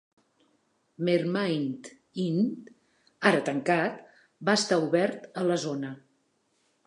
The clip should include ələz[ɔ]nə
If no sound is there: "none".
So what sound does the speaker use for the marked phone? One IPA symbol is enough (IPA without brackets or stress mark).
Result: o